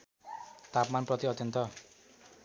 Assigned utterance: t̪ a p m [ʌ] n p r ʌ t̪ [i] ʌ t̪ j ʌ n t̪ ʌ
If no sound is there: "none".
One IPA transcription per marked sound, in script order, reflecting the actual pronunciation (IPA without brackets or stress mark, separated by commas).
a, i